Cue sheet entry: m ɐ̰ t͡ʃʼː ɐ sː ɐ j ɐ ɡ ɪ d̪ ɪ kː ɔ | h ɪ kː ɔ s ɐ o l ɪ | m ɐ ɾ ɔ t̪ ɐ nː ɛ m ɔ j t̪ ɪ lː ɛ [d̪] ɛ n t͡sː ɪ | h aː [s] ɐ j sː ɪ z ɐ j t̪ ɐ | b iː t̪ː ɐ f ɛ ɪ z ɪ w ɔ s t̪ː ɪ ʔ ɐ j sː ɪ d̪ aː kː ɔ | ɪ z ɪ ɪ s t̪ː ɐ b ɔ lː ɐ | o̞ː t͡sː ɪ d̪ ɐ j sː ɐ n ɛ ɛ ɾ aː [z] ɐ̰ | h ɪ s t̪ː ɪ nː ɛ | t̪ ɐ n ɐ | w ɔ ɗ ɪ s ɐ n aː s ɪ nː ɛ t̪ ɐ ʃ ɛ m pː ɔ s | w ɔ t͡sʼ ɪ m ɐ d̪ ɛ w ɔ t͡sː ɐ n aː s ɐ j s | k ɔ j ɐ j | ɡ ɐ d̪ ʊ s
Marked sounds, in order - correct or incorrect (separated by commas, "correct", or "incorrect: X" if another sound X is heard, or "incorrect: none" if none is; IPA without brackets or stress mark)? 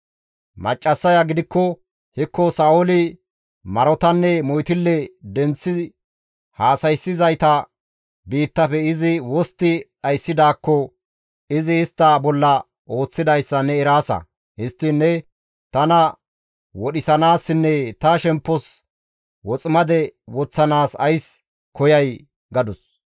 correct, correct, incorrect: s